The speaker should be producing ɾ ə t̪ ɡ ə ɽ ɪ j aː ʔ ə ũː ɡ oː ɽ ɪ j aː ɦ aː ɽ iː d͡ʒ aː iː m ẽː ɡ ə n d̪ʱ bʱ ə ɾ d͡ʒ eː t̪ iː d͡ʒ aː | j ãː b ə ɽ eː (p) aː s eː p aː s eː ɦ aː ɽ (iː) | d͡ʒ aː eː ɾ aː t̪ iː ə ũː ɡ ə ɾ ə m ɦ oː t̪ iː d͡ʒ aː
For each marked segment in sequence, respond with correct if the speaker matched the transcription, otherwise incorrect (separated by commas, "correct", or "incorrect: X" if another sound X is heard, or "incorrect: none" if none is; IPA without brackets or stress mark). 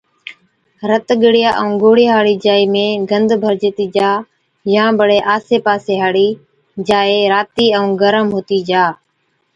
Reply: incorrect: ʔ, correct